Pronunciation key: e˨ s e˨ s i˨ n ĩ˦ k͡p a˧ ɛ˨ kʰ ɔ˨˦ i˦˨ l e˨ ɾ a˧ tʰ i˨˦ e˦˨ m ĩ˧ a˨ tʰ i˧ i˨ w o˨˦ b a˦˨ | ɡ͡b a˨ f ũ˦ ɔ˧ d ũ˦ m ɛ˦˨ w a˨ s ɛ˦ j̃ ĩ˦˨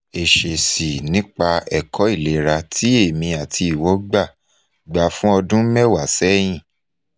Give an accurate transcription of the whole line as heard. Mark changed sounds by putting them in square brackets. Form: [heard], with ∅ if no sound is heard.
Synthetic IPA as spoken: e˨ [ʃ] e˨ s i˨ n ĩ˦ k͡p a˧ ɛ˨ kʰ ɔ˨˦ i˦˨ l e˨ ɾ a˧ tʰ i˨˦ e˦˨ m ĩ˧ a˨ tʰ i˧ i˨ w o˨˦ [ɡ͡b] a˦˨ | ɡ͡b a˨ f ũ˦ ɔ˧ d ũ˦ m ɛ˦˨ w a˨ s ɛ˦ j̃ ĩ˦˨